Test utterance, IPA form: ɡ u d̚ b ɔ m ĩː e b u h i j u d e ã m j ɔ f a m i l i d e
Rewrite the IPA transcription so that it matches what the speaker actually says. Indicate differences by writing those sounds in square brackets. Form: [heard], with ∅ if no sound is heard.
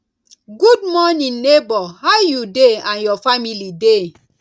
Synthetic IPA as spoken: ɡ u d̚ [m] ɔ [n] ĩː e b [ɔ] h [a] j u d e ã [n] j ɔ f a m i l i d e